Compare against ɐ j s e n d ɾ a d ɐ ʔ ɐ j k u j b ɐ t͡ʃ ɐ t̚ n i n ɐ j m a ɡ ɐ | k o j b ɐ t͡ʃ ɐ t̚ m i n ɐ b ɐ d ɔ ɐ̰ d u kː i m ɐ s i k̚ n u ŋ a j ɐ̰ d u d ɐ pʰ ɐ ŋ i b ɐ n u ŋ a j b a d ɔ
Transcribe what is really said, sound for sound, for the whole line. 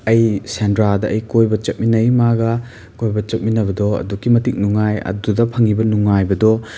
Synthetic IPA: ɐ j s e n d ɾ a d ɐ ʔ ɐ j k o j b ɐ t͡ʃ ɐ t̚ m i n ɐ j m a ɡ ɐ | k o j b ɐ t͡ʃ ɐ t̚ m i n ɐ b ɐ d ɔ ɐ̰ d u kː i m ɐ t i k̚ n u ŋ a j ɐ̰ d u d ɐ pʰ ɐ ŋ i b ɐ n u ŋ a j b ɐ d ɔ